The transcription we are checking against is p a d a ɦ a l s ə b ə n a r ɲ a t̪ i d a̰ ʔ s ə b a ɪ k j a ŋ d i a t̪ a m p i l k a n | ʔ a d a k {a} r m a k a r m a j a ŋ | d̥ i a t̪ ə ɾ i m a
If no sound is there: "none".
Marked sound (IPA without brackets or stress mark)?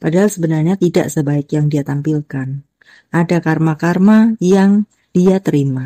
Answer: a